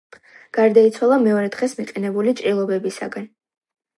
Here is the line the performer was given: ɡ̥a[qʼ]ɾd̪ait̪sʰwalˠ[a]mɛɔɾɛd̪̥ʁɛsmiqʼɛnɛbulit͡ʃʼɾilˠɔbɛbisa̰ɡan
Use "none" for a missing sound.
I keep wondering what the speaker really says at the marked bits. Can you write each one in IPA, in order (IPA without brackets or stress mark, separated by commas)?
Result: none, a